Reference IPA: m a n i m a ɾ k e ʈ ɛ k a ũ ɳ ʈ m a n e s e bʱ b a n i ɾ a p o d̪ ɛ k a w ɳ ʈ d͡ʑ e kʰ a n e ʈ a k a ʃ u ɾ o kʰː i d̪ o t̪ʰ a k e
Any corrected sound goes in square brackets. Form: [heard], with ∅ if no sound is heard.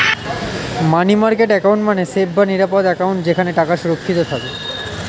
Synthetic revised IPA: m a n i m a ɾ k e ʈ ɛ k a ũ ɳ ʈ m a n e s e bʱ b a n i ɾ a p o d̪ ɛ k a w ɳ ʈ d͡ʑ e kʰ a n e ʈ a k a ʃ u ɾ o kʰː i [t̪] o t̪ʰ a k e